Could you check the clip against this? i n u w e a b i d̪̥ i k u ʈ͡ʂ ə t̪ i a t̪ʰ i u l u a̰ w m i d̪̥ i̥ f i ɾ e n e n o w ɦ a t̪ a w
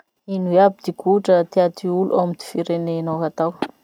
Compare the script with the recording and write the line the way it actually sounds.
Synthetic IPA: i n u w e a b i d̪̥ i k u ʈ͡ʂ ə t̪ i a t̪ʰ i u l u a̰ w m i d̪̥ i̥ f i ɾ e n e n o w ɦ a t̪ a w